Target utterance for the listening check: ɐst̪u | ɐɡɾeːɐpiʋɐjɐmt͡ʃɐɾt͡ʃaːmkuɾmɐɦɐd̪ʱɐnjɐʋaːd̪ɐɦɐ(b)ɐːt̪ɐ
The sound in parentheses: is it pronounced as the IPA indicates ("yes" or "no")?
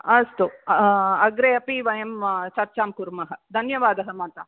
no